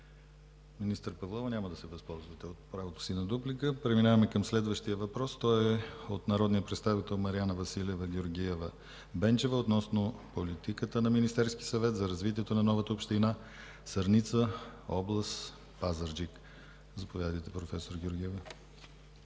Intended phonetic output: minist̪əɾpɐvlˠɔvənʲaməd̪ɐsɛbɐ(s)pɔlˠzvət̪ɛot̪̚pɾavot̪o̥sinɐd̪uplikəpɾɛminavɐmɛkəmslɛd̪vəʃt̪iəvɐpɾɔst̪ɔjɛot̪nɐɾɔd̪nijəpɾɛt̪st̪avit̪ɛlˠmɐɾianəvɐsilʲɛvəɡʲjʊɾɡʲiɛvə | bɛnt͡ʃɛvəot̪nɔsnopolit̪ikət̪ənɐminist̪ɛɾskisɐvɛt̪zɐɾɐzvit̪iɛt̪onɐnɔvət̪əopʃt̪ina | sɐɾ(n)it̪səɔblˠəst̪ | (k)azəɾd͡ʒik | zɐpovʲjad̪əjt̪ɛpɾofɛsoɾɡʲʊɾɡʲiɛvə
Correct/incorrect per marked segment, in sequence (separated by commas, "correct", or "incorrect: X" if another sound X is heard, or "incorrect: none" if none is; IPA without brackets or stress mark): correct, correct, incorrect: p